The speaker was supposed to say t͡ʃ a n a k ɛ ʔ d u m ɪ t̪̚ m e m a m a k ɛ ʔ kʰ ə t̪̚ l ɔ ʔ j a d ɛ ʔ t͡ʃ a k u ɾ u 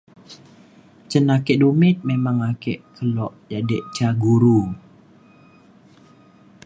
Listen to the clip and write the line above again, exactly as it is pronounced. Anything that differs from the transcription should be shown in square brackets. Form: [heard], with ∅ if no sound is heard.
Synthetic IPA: t͡ʃ [ə] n a k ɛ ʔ d u m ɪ t̪̚ m e m a [ŋ] a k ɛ ʔ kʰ ə [∅] l ɔ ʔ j a d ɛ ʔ t͡ʃ a [ɡ] u ɾ u